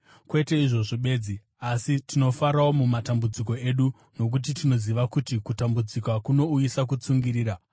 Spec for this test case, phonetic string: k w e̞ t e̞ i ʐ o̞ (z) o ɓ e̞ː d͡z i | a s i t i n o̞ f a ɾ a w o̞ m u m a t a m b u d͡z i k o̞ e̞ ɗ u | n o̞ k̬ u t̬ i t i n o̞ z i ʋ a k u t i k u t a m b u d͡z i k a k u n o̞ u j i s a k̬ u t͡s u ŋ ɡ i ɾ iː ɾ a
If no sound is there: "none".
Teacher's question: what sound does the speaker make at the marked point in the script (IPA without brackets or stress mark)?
ʐ